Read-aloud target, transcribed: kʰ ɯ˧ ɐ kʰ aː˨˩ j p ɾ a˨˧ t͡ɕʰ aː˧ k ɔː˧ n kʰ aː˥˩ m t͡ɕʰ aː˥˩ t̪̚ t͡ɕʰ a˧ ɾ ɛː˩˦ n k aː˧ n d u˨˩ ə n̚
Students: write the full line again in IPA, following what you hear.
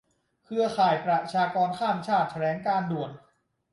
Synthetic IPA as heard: kʰ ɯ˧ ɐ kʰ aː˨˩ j p ɾ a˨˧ t͡ɕʰ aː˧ k ɔː˧ n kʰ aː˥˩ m t͡ɕʰ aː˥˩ t̪̚ t͡ɕʰ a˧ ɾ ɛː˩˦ ŋ k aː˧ n d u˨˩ ə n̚